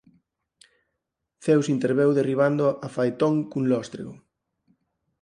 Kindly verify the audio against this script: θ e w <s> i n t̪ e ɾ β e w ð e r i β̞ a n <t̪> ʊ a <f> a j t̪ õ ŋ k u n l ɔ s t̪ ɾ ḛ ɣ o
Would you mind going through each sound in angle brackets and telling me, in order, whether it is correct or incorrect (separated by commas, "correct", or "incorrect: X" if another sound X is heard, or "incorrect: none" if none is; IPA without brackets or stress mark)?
correct, incorrect: d̪, correct